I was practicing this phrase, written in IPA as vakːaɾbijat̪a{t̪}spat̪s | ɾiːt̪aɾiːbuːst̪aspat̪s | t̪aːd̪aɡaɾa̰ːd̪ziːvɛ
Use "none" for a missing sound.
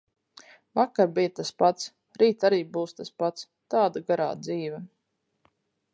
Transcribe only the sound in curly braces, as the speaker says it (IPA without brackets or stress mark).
none